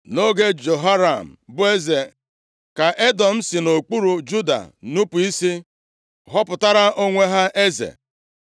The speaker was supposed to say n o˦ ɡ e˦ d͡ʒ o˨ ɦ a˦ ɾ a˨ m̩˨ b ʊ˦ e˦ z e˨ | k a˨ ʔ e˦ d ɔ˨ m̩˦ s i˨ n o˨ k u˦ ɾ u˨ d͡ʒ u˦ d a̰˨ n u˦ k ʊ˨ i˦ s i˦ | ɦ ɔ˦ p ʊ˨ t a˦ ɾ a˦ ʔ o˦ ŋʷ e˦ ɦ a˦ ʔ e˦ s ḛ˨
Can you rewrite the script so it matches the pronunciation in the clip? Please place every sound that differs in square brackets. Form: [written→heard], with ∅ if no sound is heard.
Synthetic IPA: n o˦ ɡ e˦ d͡ʒ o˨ ɦ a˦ ɾ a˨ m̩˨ b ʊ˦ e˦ z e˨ | k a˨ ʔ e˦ d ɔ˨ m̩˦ s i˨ n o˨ [k→k͡p] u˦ ɾ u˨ d͡ʒ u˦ d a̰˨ n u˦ [k→p] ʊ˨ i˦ s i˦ | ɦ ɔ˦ p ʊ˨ t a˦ ɾ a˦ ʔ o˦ ŋʷ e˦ ɦ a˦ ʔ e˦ [s→z] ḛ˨